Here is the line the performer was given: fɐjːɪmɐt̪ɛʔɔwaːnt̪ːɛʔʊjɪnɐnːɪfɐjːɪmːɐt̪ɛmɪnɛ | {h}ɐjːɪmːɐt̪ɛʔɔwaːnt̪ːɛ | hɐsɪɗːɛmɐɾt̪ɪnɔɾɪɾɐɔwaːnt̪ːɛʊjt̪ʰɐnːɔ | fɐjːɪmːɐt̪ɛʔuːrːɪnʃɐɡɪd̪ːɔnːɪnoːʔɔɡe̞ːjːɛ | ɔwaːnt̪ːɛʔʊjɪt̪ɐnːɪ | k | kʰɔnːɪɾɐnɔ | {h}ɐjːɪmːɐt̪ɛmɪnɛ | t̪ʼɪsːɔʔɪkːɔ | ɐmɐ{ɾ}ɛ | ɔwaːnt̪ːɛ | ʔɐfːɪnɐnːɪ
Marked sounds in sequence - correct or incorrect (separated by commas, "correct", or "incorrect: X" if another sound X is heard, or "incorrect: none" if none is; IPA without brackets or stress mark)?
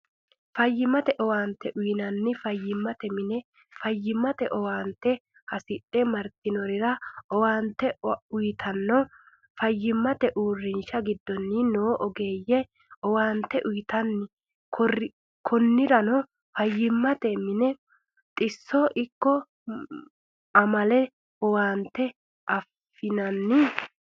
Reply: incorrect: f, incorrect: f, incorrect: l